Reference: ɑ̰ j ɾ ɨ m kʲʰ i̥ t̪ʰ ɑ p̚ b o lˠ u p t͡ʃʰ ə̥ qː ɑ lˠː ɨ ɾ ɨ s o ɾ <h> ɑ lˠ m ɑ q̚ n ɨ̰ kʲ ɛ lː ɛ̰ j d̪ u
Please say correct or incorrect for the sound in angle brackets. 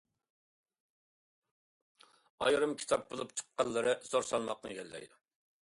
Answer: incorrect